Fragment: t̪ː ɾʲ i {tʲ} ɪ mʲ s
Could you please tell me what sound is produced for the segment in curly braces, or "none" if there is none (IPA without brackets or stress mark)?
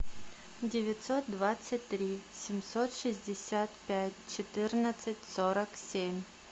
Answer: sʲ